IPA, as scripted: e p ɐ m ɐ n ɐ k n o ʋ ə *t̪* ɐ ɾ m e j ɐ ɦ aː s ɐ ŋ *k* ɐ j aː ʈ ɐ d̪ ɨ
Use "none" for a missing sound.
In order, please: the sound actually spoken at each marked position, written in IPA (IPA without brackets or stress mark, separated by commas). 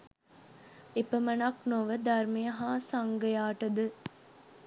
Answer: d̪, ɡ